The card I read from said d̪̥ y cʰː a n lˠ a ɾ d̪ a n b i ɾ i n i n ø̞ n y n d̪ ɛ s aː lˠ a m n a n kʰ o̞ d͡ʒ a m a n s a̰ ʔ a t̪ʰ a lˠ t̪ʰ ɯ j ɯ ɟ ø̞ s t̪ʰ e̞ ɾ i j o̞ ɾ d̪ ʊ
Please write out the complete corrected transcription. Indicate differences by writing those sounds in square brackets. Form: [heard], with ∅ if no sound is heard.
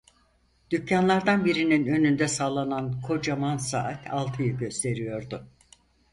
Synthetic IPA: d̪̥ y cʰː a n lˠ a ɾ d̪ a n b i ɾ i n i n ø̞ n y n d̪ ɛ s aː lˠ a [∅] n a n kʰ o̞ d͡ʒ a m a n s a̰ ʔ a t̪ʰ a lˠ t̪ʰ ɯ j ɯ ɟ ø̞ s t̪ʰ e̞ ɾ i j o̞ ɾ d̪ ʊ

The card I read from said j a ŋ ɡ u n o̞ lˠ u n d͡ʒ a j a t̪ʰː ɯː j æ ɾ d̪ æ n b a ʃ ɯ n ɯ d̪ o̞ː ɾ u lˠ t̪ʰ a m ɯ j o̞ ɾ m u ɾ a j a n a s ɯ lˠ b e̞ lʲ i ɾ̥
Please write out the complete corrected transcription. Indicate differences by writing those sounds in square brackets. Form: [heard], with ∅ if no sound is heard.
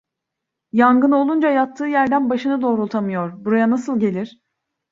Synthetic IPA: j a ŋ ɡ [ɯ] n o̞ lˠ u n d͡ʒ a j a t̪ʰː ɯː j æ ɾ d̪ æ n b a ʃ ɯ n ɯ d̪ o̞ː ɾ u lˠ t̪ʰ a m ɯ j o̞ ɾ [b] u ɾ a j a n a s ɯ lˠ [ɟ] e̞ lʲ i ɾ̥

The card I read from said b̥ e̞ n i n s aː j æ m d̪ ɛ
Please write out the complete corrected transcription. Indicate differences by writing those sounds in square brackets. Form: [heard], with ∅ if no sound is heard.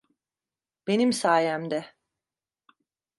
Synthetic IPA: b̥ e̞ n i [m] s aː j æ m d̪ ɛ

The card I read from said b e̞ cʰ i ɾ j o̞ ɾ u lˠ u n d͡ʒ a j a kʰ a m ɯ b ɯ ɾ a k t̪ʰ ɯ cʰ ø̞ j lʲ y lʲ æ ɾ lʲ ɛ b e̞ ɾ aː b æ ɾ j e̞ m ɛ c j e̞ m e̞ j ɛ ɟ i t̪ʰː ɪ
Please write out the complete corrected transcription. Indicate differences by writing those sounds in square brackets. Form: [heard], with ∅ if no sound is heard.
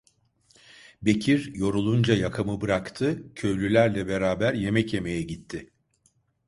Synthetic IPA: b e̞ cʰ i ɾ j o̞ ɾ u lˠ u n d͡ʒ a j a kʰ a m ɯ b ɯ ɾ a k t̪ʰ ɯ cʰ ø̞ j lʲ y lʲ æ ɾ lʲ ɛ b e̞ ɾ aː b æ ɾ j e̞ m ɛ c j e̞ m e̞ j ɛ ɟ i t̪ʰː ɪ

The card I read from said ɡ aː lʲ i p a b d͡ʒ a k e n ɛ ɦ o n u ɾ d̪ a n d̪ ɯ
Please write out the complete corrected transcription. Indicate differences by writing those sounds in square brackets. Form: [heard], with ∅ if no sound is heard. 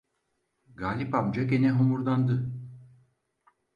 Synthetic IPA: ɡ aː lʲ i p a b d͡ʒ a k e n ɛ ɦ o [m] u ɾ d̪ a n d̪ ɯ

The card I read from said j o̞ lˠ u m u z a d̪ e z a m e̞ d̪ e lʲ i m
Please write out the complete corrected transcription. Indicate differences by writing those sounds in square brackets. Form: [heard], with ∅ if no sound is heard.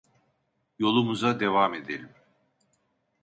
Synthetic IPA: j o̞ lˠ u m u z a d̪ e [v] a m e̞ d̪ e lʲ i m

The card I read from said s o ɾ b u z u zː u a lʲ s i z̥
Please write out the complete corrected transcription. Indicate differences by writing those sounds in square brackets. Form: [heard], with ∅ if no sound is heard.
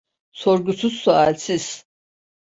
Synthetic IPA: s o ɾ [ɡ] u [s] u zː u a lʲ s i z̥

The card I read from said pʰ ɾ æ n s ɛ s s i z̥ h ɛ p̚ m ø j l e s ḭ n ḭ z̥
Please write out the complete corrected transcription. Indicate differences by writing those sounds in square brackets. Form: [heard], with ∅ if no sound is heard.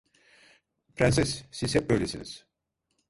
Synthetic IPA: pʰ ɾ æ n s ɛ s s i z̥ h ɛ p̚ [b] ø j l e s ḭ n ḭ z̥

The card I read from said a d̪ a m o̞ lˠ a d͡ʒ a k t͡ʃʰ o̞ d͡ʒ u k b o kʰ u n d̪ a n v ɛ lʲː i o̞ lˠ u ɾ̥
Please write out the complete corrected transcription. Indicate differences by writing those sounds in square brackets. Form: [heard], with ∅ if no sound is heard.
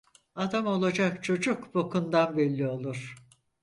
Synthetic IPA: a d̪ a m o̞ lˠ a d͡ʒ a k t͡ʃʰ o̞ d͡ʒ u k b o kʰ u n d̪ a n [b] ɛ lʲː i o̞ lˠ u ɾ̥

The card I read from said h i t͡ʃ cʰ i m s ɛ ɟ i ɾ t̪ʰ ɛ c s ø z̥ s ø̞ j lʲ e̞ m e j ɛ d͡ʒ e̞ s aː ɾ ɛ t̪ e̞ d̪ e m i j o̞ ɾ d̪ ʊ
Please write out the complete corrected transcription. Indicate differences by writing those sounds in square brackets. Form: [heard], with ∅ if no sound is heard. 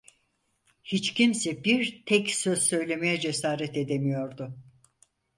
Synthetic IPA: h i t͡ʃ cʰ i m s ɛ [b] i ɾ t̪ʰ ɛ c s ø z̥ s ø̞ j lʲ e̞ m e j ɛ d͡ʒ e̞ s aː ɾ ɛ t̪ e̞ d̪ e m i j o̞ ɾ d̪ ʊ

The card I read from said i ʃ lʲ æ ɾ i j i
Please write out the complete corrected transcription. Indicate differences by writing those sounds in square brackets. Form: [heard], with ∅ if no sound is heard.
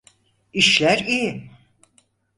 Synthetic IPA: i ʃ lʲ æ ɾ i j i

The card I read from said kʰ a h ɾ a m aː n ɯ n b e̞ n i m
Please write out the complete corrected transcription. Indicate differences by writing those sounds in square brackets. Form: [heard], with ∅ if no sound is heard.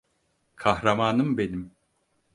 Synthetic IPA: kʰ a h ɾ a m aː n ɯ [m] b e̞ n i m

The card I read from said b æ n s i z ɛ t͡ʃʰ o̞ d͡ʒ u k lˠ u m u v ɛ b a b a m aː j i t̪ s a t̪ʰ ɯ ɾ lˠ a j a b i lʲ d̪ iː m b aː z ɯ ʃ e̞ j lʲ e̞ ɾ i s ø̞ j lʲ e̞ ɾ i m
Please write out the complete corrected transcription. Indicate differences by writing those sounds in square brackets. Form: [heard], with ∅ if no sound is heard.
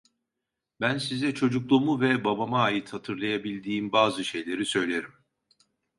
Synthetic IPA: b æ n s i z ɛ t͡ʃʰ o̞ d͡ʒ u k lˠ u m u v ɛ b a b a m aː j i t̪ [h] a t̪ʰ ɯ ɾ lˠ a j a b i lʲ d̪ iː m b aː z ɯ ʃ e̞ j lʲ e̞ ɾ i s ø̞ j lʲ e̞ ɾ i m

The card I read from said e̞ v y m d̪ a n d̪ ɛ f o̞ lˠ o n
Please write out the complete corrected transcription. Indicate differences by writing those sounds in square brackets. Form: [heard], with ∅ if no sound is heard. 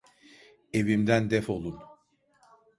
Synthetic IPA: e̞ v [i] m d̪ [æ] n d̪ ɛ f o̞ lˠ [u] n

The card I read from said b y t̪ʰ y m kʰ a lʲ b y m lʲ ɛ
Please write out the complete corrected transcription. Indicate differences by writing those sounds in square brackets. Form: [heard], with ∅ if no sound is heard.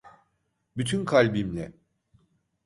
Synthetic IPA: b y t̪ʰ y [n] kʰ a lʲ b [i] m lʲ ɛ

